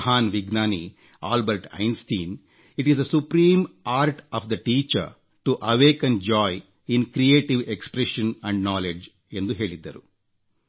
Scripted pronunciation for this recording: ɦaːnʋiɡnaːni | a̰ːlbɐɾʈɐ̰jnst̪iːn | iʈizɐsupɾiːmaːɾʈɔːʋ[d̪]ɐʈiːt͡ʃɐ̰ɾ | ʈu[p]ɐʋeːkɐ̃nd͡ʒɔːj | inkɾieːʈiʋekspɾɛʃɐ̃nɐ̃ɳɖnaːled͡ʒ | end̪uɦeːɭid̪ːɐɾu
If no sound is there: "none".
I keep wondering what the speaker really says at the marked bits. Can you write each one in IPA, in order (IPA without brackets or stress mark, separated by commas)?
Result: d̪, ʔ